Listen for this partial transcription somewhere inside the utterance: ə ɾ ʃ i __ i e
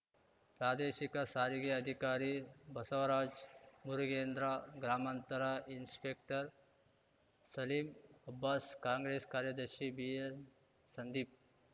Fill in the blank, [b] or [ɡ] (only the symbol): b